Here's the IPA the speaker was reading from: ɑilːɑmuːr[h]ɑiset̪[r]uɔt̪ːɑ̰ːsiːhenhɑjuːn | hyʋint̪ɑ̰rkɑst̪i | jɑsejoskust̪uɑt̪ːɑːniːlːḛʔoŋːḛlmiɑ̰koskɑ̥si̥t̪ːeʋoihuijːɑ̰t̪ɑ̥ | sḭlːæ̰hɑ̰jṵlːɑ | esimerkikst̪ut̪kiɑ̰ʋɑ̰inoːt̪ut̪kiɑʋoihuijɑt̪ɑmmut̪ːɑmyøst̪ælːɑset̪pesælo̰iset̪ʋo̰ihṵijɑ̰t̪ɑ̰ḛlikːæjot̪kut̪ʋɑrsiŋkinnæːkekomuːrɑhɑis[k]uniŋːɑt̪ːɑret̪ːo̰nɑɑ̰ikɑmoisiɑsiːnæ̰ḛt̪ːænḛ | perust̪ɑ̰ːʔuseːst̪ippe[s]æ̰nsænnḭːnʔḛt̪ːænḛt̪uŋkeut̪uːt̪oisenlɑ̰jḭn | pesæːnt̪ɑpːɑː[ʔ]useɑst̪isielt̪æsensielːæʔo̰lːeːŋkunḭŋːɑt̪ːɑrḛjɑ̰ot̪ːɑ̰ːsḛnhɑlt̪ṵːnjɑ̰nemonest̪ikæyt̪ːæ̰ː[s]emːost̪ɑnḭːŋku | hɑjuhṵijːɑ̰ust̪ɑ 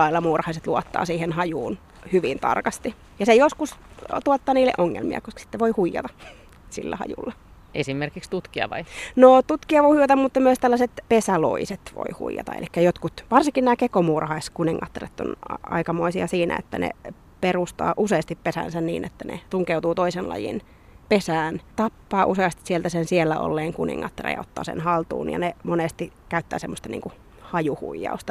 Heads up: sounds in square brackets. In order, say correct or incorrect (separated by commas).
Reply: correct, incorrect, correct, correct, correct, correct